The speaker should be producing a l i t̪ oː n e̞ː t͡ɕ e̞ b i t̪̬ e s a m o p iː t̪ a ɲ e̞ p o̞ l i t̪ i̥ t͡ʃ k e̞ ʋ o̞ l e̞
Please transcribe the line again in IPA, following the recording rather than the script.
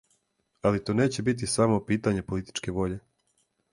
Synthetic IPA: a l i t̪ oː n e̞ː t͡ɕ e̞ b i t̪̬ i s a m o p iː t̪ a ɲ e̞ p o̞ l i t̪ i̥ t͡ʃ k e̞ ʋ o̞ ʎ e̞